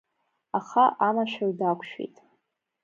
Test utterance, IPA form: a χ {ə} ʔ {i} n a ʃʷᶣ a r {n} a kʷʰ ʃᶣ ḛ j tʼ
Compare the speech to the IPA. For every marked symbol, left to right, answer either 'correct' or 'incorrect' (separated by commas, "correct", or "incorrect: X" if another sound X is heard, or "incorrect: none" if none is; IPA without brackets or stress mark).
incorrect: a, incorrect: a, incorrect: d